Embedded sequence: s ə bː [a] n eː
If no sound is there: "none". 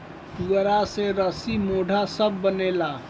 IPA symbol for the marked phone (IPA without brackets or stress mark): ə